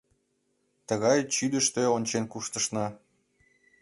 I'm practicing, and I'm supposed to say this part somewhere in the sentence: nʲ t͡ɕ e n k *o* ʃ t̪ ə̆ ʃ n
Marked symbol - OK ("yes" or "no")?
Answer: no